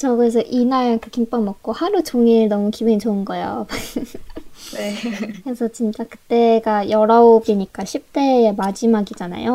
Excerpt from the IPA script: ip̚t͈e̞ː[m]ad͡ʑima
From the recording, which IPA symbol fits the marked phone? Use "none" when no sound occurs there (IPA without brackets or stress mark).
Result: m